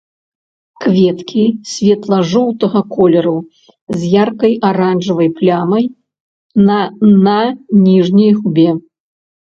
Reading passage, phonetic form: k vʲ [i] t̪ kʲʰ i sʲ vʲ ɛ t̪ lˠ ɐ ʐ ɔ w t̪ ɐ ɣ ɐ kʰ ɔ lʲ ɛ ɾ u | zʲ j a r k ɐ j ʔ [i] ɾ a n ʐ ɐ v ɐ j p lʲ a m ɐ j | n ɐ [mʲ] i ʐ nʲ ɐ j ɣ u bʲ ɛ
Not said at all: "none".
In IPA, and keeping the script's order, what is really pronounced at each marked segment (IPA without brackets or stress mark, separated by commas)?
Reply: ɛ, a, nʲ